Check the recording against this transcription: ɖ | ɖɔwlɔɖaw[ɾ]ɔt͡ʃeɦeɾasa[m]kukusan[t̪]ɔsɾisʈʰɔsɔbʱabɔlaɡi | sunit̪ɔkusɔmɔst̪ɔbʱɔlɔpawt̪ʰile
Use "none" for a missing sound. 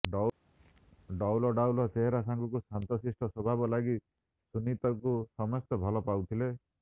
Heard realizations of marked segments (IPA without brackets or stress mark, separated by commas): l, ŋ, t̪